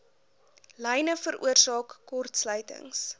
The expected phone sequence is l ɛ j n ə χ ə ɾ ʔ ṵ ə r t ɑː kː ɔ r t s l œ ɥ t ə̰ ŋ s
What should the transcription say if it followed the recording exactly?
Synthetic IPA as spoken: l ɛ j n ə f ə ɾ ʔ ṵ ə r s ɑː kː ɔ r t s l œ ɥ t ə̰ ŋ s